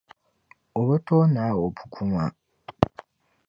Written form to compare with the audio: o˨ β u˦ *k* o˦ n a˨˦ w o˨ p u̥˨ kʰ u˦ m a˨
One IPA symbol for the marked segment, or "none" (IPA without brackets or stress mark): t